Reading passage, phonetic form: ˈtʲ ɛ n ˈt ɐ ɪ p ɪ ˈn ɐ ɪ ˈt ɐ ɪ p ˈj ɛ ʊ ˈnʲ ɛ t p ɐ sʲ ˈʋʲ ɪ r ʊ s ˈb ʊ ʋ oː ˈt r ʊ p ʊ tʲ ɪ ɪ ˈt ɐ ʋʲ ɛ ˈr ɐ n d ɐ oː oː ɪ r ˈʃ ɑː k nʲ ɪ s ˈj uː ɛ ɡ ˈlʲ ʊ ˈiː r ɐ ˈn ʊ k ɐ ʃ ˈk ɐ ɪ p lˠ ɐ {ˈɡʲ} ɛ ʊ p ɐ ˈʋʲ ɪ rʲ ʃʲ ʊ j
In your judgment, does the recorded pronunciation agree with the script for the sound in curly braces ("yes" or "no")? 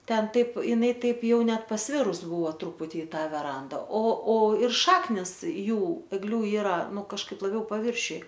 no